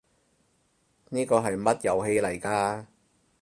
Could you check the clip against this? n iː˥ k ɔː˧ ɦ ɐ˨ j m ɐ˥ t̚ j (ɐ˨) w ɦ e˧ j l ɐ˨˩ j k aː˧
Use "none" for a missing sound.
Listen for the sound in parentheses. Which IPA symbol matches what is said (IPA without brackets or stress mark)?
ɐ˨